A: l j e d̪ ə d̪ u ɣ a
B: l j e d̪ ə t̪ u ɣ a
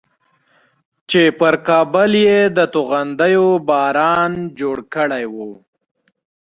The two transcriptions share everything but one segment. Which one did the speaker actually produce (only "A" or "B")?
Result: B